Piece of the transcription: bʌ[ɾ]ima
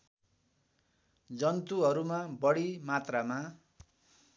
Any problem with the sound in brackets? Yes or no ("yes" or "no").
yes